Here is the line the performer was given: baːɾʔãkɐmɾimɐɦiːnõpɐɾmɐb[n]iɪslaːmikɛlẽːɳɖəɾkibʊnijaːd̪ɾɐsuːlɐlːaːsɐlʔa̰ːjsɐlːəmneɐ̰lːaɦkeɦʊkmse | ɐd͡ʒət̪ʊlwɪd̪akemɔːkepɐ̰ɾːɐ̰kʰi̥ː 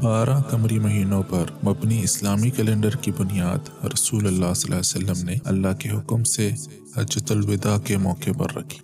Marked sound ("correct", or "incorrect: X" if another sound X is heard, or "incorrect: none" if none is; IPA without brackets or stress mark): correct